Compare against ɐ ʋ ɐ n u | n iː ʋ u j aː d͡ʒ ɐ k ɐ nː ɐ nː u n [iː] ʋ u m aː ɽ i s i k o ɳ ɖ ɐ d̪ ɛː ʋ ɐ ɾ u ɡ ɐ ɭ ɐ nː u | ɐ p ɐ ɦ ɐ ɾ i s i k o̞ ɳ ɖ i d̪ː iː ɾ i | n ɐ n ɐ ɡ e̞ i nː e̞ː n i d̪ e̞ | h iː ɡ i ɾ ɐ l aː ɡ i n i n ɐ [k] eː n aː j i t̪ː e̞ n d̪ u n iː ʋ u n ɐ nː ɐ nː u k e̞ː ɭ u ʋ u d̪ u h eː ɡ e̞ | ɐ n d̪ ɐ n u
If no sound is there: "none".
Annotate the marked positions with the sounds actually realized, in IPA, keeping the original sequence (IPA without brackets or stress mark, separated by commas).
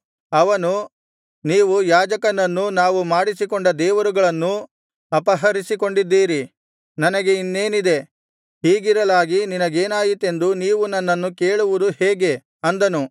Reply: aː, ɡ